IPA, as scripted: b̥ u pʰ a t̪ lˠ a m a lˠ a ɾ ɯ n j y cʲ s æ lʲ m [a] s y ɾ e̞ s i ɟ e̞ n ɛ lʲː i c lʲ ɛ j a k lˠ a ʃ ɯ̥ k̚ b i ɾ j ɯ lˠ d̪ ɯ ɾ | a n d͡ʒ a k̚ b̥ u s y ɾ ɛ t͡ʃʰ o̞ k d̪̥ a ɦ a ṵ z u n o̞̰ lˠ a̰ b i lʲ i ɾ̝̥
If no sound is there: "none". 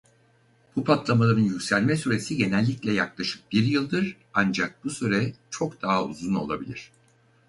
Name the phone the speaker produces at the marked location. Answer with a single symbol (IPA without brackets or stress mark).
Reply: ɛ